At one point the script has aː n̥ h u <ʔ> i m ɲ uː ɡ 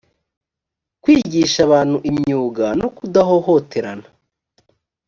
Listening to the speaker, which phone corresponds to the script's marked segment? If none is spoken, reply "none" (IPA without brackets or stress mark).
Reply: ʔ